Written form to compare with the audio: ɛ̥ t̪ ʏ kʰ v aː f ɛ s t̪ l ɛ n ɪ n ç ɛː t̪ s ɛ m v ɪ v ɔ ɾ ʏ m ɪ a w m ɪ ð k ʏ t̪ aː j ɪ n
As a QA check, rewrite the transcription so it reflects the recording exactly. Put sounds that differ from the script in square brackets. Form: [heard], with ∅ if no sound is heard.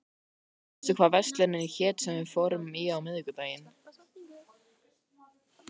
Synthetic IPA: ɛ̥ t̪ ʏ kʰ v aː [v] ɛ s t̪ l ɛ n ɪ n ç ɛː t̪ s ɛ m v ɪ [f] ɔ ɾ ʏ m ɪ a w m ɪ ð k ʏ t̪ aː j ɪ n